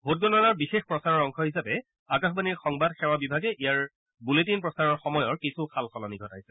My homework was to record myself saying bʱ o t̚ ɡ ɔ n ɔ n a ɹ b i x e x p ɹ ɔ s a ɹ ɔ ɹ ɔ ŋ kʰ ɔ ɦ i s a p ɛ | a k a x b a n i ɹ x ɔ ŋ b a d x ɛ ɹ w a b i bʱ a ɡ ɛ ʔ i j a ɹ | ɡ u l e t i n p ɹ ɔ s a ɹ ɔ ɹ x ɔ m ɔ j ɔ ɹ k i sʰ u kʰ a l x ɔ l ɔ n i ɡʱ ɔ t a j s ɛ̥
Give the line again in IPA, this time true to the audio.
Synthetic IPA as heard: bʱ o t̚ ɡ ɔ n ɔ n a ɹ b i x e x p ɹ ɔ s a ɹ ɔ ɹ ɔ ŋ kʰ ɔ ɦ i s a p ɛ | a k a x b a n i ɹ x ɔ ŋ b a d x ɛ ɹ w a b i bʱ a ɡ ɛ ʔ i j a ɹ | b u l e t i n p ɹ ɔ s a ɹ ɔ ɹ x ɔ m ɔ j ɔ ɹ k i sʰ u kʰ a l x ɔ l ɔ n i ɡʱ ɔ t a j s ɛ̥